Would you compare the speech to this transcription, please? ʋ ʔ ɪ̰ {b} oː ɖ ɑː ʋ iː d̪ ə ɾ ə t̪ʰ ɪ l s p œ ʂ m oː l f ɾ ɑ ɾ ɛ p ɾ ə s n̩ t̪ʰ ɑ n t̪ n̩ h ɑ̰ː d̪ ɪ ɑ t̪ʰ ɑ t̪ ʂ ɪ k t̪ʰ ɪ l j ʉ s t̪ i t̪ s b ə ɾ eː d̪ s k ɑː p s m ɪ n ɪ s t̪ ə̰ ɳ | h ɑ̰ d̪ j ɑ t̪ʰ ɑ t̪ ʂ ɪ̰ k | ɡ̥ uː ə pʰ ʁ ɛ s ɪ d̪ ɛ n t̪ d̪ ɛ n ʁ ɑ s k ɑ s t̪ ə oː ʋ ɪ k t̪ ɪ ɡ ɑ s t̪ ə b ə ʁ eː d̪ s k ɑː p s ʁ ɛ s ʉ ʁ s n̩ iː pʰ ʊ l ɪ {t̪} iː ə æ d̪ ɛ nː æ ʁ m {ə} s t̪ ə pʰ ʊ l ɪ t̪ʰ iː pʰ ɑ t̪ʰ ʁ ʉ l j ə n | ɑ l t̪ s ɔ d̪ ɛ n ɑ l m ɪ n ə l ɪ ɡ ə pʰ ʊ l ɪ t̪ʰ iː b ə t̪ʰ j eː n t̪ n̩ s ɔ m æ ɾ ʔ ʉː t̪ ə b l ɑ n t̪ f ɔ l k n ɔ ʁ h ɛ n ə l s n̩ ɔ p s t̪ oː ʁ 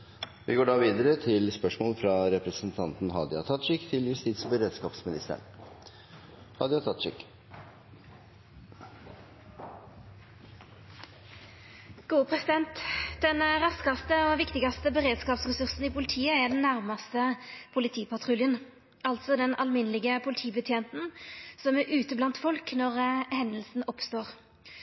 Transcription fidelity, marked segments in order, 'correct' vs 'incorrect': incorrect: ɡ, incorrect: t̪ʰ, incorrect: ɑ

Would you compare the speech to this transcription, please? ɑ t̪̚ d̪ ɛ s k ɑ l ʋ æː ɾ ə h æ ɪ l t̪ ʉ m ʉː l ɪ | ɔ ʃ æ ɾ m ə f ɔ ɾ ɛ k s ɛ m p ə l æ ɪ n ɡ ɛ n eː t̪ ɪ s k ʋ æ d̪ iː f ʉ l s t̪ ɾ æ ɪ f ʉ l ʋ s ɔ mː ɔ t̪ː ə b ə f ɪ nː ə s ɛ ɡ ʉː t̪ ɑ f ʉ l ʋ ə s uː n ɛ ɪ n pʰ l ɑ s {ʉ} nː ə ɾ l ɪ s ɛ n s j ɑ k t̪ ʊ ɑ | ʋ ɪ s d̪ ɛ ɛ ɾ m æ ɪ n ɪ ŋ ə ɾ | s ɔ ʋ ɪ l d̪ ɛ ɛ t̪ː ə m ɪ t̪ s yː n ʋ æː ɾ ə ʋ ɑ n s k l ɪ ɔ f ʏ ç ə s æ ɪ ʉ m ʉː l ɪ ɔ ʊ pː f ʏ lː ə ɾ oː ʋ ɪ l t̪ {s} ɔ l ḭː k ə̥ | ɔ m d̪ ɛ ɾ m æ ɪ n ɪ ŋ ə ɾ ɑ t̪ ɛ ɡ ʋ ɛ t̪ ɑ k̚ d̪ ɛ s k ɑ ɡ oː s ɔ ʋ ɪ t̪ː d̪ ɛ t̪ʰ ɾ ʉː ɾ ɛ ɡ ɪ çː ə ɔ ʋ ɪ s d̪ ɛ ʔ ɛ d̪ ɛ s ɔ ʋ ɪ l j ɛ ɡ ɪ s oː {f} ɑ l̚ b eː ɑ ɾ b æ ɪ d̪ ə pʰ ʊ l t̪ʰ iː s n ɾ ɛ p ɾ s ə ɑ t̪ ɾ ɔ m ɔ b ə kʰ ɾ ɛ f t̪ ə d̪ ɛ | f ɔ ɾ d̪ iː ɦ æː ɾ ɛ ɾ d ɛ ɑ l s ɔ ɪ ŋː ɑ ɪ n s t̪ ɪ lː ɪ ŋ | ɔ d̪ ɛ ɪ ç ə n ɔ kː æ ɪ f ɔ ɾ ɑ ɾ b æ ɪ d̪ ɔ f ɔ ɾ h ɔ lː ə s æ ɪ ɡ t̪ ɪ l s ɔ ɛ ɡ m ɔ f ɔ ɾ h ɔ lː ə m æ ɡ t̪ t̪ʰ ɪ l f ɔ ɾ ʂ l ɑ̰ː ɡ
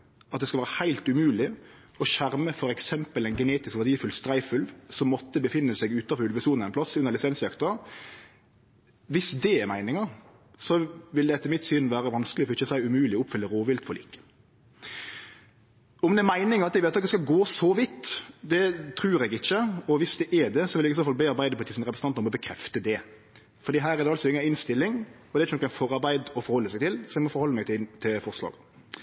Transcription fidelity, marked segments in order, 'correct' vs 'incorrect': correct, incorrect: f, correct

